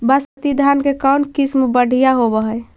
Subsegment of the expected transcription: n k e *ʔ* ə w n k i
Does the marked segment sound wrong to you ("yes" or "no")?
yes